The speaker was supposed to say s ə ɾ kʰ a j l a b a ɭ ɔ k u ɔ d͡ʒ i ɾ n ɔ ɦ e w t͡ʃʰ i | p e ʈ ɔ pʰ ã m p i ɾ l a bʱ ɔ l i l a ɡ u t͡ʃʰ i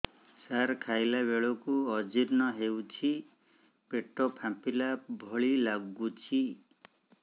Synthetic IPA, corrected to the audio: s a ɾ kʰ a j l a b e ɭ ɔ k u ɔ d͡ʒ i ɾ n ɔ ɦ e w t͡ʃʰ i | p e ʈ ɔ pʰ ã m p i l a bʱ ɔ ɭ i l a ɡ u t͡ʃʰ i